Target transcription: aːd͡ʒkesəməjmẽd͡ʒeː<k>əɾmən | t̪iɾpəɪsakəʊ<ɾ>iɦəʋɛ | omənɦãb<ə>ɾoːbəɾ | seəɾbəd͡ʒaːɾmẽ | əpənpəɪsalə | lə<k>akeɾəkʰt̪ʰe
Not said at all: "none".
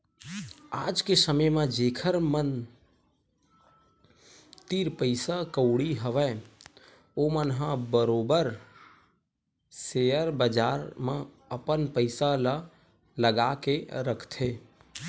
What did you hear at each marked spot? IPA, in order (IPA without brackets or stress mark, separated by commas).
kʰ, ɽ, ə, ɡ